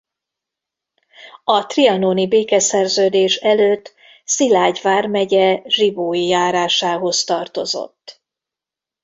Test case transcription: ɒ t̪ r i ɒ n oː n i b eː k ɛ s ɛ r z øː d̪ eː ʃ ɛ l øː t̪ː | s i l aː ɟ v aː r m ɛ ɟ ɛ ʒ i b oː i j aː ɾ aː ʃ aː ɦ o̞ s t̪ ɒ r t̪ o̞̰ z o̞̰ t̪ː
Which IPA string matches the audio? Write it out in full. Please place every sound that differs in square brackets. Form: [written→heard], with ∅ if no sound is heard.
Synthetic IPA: ɒ t̪ r i ɒ n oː n i b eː k ɛ s ɛ r z øː d̪ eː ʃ ɛ l øː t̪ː | s i l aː ɟ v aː r m ɛ ɟ ɛ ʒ i b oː i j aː ɾ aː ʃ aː ɦ o̞ s t̪ ɒ r t̪ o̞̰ z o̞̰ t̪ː